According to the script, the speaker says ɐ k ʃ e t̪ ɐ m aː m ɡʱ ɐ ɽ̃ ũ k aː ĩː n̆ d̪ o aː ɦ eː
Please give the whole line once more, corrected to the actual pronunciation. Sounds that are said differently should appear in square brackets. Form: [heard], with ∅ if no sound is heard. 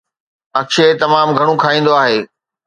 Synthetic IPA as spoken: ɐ k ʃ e t̪ ɐ m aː m ɡʱ ɐ ɽ̃ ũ [kʰ] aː ĩː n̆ d̪ o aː ɦ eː